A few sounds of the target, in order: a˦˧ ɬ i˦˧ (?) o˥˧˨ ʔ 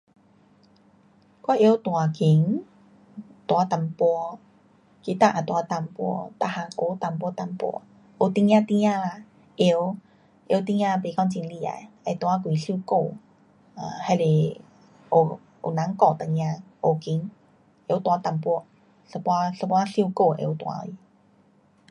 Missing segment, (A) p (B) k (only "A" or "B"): B